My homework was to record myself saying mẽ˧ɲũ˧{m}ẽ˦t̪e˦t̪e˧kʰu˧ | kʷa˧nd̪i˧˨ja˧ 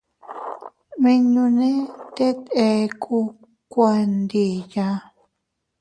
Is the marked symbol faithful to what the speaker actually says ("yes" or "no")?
no